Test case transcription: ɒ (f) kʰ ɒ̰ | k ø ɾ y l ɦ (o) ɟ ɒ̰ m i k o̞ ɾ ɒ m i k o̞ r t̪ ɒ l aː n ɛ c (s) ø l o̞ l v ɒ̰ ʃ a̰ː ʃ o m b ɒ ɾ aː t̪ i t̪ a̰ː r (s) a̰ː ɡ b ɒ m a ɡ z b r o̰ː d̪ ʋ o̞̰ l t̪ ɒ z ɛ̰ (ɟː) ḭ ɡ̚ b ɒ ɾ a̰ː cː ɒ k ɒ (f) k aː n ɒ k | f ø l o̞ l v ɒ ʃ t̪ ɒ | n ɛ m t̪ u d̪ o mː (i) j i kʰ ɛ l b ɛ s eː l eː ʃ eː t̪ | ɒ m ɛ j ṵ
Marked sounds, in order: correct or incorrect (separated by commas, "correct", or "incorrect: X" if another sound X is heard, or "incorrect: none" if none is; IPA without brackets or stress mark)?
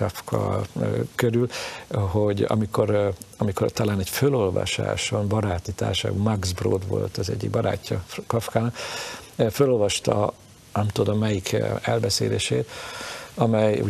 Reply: correct, correct, incorrect: f, incorrect: ʃ, correct, correct, incorrect: ɛ